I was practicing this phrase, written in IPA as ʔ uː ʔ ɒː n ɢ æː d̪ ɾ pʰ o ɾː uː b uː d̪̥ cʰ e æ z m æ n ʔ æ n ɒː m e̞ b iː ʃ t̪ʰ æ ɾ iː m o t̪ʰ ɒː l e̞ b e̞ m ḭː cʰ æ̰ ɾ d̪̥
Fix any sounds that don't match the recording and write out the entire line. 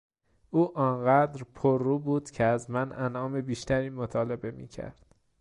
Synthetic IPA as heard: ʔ uː ʔ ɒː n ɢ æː d̪ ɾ pʰ o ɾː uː b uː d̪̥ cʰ e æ z m æ n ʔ æ n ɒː m e̞ b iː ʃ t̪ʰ æ ɾ iː m o t̪ʰ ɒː l e̞ b e̞ m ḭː cʰ æ̰ ɾ d̪̥